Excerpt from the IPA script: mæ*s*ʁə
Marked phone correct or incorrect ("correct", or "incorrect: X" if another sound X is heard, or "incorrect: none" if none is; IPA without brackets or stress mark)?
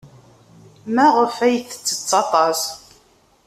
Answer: incorrect: none